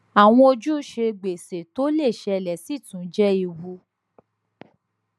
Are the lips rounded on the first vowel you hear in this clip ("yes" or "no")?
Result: no